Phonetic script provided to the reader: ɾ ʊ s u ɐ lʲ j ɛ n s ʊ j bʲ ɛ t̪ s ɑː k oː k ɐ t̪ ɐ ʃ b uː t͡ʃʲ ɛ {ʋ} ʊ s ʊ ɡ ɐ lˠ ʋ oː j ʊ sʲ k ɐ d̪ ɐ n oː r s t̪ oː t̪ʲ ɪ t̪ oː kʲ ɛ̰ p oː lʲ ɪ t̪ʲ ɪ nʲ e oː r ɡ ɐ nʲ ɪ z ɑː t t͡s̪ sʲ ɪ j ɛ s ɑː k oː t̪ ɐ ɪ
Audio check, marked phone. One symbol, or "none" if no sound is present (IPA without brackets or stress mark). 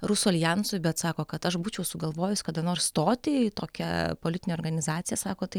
none